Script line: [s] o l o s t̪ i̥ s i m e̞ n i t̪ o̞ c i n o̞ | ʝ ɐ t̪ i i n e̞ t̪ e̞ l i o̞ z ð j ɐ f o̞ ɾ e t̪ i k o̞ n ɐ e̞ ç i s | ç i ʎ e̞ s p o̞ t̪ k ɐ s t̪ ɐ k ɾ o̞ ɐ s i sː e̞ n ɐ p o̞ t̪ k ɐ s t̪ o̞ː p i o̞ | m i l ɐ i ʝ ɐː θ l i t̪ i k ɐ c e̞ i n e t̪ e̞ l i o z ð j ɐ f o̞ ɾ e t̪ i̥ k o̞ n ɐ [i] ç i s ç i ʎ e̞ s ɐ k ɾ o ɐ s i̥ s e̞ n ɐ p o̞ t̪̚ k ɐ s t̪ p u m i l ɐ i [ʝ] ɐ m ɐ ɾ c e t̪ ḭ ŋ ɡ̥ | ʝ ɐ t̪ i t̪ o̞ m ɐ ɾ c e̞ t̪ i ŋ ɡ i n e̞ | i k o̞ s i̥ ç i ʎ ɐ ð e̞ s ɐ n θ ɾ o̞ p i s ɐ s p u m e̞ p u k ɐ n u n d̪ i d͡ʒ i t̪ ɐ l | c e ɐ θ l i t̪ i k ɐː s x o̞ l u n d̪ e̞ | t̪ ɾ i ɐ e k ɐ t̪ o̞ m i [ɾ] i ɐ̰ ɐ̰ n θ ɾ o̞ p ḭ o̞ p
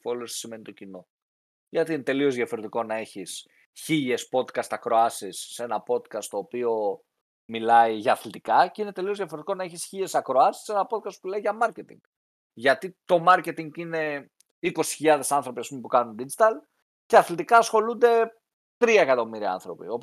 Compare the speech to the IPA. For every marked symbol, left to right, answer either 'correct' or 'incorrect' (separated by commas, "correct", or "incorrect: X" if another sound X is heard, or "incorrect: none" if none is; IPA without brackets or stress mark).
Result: incorrect: f, incorrect: e, correct, correct